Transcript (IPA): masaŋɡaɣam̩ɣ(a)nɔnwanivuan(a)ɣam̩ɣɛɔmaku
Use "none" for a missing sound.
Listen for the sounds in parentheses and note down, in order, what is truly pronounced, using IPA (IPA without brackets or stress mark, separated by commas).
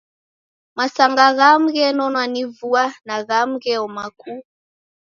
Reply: ɛ, a